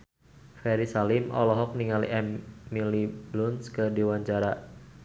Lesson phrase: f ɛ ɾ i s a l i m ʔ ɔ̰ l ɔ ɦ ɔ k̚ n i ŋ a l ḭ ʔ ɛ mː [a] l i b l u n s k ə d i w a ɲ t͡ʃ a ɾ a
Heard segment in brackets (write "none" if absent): i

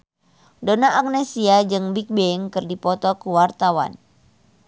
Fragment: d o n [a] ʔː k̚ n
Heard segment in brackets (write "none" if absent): a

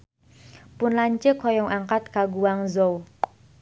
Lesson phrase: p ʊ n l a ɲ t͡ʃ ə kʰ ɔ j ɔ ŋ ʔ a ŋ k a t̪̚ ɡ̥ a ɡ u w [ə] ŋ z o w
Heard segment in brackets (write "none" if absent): a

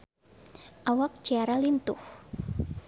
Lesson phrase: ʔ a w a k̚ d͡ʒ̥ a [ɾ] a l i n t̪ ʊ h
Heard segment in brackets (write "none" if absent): ɾ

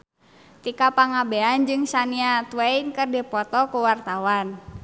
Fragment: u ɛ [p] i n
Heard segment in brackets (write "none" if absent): none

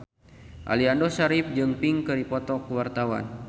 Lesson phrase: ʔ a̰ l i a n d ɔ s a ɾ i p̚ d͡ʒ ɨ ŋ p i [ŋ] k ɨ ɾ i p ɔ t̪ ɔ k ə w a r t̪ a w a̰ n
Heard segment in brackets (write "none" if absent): ŋ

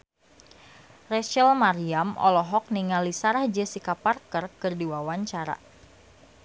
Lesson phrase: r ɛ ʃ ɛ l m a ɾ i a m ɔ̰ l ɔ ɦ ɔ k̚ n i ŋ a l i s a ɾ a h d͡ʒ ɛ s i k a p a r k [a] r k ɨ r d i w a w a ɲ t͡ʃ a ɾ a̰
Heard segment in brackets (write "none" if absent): ə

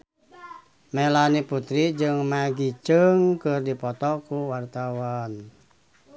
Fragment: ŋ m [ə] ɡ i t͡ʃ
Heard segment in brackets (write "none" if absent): a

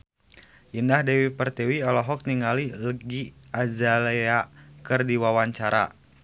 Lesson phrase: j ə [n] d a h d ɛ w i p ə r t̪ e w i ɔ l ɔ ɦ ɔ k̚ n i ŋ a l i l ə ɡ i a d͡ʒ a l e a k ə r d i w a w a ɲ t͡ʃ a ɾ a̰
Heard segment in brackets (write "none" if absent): n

